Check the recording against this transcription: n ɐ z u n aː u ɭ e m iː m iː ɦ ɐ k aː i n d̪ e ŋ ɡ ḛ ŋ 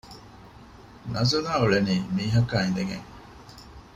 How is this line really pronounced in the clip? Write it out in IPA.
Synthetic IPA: n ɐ z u n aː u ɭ e n iː m iː ɦ ɐ k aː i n d̪ e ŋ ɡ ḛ ŋ